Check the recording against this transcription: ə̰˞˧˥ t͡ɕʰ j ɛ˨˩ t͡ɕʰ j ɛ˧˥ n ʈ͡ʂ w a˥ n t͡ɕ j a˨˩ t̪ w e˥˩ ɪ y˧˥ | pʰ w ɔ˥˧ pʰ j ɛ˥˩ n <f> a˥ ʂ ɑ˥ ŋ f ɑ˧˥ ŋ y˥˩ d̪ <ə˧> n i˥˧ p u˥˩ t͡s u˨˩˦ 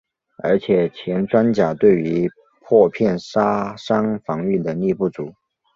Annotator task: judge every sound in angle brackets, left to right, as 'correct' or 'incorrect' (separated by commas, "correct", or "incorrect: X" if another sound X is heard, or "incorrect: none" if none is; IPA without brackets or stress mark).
incorrect: ʂ, incorrect: ə˩